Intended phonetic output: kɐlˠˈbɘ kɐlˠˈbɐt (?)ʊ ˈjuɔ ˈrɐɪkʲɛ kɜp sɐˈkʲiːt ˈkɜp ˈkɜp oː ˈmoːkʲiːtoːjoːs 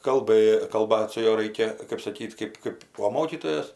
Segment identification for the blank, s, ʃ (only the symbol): s